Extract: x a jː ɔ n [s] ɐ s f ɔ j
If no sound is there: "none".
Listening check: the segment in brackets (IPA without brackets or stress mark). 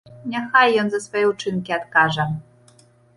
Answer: z